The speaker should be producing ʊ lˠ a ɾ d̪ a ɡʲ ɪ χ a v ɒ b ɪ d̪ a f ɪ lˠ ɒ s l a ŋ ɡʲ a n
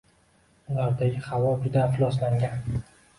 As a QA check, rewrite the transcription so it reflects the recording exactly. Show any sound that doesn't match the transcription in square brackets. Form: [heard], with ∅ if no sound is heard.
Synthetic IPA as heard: ʊ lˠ a ɾ d̪ a ɡʲ ɪ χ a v ɒ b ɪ d̪ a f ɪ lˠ ɒ s l a ŋ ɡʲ a n